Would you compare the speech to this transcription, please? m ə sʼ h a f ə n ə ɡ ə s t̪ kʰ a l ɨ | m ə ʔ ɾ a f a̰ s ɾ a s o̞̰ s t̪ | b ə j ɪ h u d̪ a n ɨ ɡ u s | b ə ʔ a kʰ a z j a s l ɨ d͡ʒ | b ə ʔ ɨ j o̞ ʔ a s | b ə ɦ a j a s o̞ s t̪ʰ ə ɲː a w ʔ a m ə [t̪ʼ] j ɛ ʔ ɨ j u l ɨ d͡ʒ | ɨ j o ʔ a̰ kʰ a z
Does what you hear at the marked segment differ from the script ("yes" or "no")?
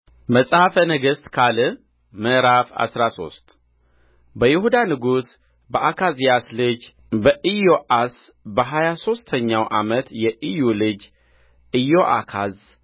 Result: yes